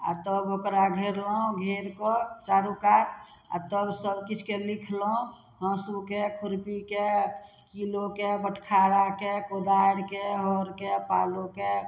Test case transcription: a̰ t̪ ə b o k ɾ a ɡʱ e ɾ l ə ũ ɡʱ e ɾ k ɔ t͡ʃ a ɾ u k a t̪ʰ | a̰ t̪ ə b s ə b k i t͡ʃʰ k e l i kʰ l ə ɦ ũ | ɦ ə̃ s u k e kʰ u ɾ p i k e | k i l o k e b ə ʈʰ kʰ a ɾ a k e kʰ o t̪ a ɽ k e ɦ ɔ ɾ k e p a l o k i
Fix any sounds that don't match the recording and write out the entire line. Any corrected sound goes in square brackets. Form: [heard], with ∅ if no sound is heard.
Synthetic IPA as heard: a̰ t̪ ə b o k ɾ a ɡʱ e ɾ l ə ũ ɡʱ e ɾ k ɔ t͡ʃ a ɾ u k a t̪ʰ | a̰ t̪ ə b s ə b k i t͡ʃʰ k e l i kʰ l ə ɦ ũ | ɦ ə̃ s u k e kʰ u ɾ p i k e | k i l o k e b ə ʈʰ kʰ a ɾ a k e [k] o [d̪] a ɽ k e ɦ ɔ ɾ k e p a l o k [e]